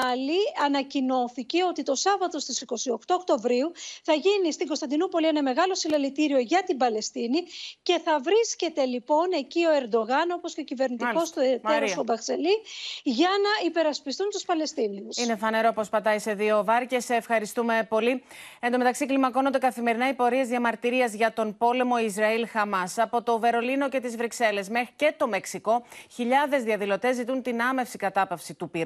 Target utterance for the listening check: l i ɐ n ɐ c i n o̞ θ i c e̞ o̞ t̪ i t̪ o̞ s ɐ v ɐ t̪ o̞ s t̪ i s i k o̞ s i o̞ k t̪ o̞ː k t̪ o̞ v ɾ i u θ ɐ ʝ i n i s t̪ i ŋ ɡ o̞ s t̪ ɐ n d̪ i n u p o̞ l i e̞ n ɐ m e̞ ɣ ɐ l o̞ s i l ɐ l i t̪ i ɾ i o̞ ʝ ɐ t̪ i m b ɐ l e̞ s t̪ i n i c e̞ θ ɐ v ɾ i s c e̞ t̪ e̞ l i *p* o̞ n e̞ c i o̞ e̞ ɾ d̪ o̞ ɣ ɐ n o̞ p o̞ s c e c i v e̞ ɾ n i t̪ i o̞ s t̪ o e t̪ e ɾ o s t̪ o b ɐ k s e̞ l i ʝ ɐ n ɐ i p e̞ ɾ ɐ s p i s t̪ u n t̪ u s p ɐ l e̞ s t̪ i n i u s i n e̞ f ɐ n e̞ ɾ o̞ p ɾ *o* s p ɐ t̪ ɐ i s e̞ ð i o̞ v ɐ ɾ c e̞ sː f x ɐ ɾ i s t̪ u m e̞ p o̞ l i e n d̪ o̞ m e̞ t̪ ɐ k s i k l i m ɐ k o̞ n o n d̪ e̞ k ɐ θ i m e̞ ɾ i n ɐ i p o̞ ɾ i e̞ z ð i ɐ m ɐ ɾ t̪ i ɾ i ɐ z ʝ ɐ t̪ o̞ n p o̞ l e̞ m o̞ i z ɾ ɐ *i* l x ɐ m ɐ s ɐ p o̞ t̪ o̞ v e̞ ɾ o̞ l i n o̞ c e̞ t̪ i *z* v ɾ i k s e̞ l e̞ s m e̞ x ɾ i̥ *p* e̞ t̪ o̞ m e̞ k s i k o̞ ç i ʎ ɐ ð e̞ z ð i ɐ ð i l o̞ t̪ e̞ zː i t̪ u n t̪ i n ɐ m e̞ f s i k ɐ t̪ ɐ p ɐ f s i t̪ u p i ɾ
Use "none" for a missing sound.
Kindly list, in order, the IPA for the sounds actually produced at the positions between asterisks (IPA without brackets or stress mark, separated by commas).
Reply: p, o, i, z, c